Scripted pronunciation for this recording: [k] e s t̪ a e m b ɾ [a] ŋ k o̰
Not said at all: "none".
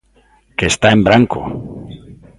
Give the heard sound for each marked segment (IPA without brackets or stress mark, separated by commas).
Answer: k, a